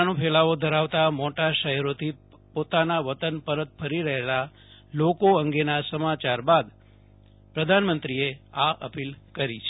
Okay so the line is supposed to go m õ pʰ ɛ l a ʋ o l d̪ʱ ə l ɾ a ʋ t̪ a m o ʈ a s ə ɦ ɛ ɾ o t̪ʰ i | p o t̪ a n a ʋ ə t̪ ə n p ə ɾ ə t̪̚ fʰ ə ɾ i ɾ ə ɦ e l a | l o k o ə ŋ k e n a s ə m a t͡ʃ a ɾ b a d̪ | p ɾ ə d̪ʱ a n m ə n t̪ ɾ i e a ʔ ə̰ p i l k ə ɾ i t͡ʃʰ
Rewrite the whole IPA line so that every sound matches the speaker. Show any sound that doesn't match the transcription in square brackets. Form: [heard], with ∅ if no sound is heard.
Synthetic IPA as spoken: [n] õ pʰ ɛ l a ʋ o [∅] d̪ʱ ə [∅] ɾ a ʋ t̪ a m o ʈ a [ʃ] ə ɦ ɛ ɾ o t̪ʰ i | p o t̪ a n a ʋ ə t̪ ə n p ə ɾ ə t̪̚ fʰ ə ɾ i ɾ ə ɦ e l a | l o k o ə ŋ [ɡ] e n a s ə m a t͡ʃ a ɾ b a d̪ | p ɾ ə d̪ʱ a n m ə n t̪ ɾ i e a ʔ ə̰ p i l k ə ɾ i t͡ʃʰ